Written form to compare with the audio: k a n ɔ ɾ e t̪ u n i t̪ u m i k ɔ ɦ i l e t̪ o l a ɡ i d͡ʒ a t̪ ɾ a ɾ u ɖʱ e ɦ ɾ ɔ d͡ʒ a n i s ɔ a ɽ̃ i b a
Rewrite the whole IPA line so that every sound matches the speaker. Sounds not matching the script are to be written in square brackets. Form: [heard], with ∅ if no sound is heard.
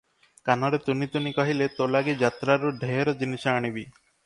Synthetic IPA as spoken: k a n ɔ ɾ e t̪ u n i t̪ u [n] i k ɔ ɦ i l e t̪ o l a ɡ i d͡ʒ a t̪ ɾ a ɾ u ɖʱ e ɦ ɾ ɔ d͡ʒ [i] n i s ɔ a ɽ̃ i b [i]